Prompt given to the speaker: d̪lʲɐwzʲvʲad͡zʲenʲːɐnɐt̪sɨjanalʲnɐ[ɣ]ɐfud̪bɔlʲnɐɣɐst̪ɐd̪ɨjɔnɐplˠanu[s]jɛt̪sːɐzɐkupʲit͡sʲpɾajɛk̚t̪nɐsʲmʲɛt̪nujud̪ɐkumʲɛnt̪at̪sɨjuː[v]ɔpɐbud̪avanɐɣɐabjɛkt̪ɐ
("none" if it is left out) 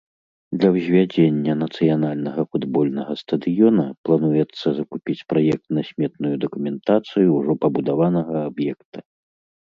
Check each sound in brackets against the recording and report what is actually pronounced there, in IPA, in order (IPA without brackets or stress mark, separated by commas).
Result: ɣ, none, ʐ